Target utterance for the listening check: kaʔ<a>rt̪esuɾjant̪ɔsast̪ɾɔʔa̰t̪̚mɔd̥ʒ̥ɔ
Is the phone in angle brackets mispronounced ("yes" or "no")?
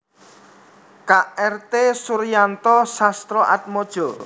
yes